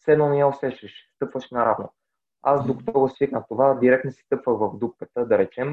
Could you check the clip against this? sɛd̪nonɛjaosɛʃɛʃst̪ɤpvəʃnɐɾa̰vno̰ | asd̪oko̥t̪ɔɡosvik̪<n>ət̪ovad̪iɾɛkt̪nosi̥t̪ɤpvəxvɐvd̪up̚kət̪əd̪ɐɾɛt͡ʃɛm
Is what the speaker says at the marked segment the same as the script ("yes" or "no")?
yes